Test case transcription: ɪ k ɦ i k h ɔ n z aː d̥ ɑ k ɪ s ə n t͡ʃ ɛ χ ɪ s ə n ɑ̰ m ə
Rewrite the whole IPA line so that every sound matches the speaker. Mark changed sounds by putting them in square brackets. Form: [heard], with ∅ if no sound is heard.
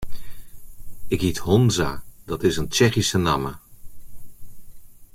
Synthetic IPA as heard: ɪ k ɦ i [t] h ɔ n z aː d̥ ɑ [t] ɪ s ə n t͡ʃ ɛ χ [i] s ə n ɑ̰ m ə